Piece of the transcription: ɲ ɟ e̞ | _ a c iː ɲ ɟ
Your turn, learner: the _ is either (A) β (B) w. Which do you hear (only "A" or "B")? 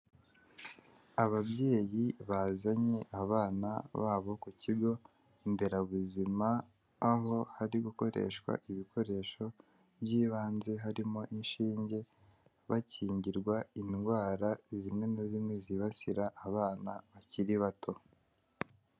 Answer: A